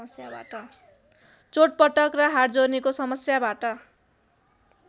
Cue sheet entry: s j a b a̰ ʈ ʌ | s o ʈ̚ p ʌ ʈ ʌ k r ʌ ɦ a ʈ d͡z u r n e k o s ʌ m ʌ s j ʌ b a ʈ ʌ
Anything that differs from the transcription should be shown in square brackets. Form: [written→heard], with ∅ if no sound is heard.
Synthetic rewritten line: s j a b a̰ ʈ ʌ | [s→t͡s] o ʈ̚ p ʌ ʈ ʌ k r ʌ ɦ a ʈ d͡z [u→o] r n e k o s ʌ m ʌ s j [ʌ→a] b a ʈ ʌ